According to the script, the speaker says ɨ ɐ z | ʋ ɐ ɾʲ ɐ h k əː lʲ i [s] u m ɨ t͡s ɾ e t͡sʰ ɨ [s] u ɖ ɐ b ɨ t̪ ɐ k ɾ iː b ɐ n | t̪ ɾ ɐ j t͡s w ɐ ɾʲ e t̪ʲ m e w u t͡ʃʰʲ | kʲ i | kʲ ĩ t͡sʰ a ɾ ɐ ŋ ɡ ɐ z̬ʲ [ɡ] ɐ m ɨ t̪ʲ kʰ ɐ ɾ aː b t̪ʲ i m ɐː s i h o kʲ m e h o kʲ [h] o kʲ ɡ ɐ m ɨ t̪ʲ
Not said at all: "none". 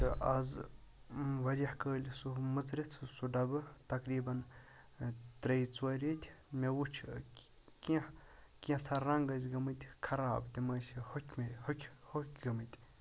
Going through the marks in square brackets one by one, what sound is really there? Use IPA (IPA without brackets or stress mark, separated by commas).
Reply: s, s, ɡ, h